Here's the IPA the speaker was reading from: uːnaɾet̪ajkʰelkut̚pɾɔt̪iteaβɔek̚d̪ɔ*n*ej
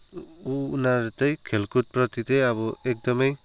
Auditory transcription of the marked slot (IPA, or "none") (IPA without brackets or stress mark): m